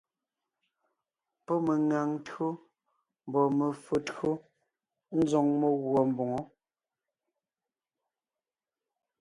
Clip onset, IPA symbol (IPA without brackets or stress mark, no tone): p